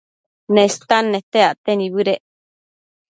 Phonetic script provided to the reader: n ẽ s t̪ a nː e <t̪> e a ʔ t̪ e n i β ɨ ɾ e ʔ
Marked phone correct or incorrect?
correct